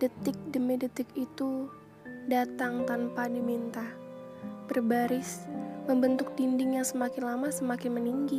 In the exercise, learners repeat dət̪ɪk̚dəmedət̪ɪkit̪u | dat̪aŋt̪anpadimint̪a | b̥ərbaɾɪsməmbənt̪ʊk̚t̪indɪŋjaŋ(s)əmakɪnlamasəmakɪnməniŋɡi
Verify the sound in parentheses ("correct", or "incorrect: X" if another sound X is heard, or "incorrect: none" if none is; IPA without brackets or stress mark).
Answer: correct